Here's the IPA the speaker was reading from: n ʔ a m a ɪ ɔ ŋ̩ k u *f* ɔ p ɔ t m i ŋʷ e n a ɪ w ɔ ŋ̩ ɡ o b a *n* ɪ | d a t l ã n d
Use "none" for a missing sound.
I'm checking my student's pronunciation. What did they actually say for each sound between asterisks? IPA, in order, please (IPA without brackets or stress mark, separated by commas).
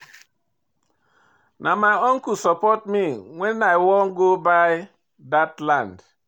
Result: s, none